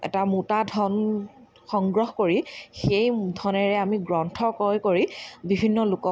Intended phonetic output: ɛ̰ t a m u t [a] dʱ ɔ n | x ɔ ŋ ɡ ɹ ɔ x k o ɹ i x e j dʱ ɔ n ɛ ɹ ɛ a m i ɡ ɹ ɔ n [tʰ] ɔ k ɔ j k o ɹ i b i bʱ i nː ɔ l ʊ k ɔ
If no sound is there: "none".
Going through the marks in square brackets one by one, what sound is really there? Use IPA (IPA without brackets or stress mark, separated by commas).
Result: a, tʰ